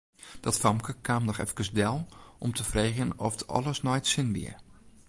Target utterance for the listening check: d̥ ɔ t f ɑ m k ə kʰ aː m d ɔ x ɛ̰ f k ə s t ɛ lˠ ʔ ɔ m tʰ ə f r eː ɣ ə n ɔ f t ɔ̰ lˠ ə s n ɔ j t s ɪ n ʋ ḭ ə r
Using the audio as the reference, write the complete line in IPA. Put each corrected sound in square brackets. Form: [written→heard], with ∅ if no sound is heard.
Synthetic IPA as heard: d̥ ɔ t f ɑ m k ə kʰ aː m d ɔ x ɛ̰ f k ə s [t→d] ɛ lˠ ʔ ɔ m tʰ ə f r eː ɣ ə n ɔ f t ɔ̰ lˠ ə s n ɔ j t s ɪ n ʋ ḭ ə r